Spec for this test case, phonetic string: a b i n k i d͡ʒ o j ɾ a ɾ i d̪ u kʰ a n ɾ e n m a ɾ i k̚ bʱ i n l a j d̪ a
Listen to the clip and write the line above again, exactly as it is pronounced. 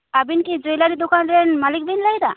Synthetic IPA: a b i n k i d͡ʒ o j l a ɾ i d̪ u k a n ɾ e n m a l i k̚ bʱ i n l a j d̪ a

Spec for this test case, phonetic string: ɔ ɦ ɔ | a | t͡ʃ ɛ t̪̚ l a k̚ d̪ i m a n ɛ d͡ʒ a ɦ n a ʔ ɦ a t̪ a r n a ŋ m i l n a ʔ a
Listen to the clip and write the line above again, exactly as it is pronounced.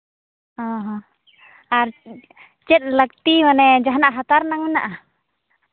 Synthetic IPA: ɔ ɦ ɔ | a | t͡ʃ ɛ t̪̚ l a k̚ t̪ i m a n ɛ d͡ʒ a ɦ n a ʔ ɦ a t̪ a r n a ŋ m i n a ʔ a

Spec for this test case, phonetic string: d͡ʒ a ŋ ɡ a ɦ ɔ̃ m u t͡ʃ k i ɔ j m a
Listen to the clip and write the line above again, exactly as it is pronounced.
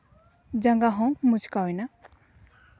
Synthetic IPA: d͡ʒ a ŋ ɡ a ɦ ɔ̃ m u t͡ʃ k a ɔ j n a

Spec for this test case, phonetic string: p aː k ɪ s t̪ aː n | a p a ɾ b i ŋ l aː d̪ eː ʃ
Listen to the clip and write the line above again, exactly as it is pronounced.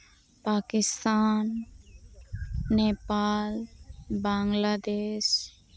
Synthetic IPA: p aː k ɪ s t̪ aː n | e p a l b a ŋ l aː d̪ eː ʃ

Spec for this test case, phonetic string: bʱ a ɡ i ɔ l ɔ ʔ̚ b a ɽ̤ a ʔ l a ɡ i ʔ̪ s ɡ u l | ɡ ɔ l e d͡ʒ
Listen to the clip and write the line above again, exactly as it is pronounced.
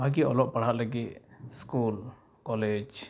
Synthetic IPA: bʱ a ɡ i ɔ l ɔ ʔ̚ p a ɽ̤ a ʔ l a ɡ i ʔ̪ s k u l | k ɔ l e d͡ʒ

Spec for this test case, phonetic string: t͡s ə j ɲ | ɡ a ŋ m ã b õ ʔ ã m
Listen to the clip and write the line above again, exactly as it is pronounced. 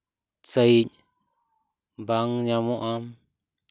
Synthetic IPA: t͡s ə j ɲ | b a ŋ ɲ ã m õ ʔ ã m

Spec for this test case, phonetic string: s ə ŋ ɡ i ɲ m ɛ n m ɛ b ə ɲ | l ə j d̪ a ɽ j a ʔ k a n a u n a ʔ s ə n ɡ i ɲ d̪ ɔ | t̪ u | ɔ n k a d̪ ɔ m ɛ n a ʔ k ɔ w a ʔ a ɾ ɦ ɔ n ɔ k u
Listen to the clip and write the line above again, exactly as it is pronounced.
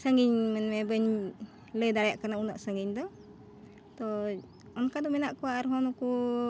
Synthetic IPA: s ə ŋ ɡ i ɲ m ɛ n m ɛ b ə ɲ | l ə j d̪ a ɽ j a ʔ k a n a u n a ʔ s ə ŋ ɡ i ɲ d̪ ɔ | t̪ ɔ | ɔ n k a d̪ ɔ m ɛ n a ʔ k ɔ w a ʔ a ɾ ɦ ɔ n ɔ k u

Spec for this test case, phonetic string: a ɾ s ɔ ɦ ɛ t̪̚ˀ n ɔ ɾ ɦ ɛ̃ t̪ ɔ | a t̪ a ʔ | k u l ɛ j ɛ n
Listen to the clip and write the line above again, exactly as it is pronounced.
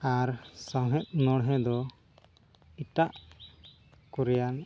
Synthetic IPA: a ɾ s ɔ ɦ ɛ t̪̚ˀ n ɔ ɽ ɦ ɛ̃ d̪ ɔ | i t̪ a ʔ | k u ɾ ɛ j a n

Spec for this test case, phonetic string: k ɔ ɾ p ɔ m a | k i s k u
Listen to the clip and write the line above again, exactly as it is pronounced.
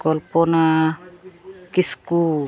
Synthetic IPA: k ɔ l p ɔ n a | k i s k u

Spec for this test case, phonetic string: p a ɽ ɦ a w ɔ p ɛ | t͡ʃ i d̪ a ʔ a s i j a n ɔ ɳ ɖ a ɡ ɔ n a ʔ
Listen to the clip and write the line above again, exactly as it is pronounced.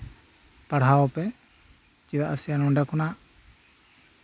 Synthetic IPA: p a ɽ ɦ a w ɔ p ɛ | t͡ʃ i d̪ a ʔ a s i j a n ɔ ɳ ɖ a k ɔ n a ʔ

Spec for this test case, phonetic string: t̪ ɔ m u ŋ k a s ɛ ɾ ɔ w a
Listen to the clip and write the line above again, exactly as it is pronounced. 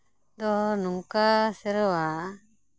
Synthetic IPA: d̪ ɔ n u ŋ k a s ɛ ɾ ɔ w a

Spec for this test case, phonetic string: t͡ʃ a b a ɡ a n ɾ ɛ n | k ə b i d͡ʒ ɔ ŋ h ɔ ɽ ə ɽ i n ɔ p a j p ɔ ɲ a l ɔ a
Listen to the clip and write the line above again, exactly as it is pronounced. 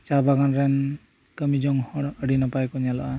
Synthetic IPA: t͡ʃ a b a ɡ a n ɾ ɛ n | k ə m i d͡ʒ ɔ ŋ h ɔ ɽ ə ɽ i n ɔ p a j k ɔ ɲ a l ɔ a

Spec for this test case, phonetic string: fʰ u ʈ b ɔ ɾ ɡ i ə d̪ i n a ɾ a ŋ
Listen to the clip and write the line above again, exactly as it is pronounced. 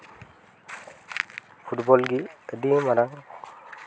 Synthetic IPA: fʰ u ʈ b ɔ l ɡ i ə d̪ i m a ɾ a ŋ

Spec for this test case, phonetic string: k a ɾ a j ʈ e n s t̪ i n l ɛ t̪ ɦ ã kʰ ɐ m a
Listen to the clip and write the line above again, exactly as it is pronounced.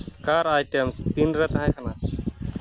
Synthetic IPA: k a ɾ a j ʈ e m s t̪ i n ɾ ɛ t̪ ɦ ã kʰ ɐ n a

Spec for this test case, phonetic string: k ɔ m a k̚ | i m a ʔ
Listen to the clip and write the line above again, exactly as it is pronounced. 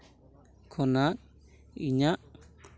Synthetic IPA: kʰ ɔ n a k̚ | i ɲ a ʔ

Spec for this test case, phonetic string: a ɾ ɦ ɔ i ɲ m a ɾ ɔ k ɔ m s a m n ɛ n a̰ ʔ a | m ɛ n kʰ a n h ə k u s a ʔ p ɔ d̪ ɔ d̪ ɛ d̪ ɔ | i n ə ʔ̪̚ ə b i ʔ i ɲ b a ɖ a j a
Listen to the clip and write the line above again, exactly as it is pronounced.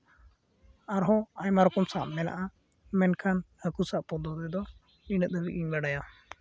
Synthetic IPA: a ɾ ɦ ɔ a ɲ m a ɾ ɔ k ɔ m s a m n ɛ n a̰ ʔ a | m ɛ n kʰ a n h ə k u s a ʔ p ɔ d̪ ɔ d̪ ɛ d̪ ɔ | i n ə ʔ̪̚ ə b i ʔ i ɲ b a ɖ a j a

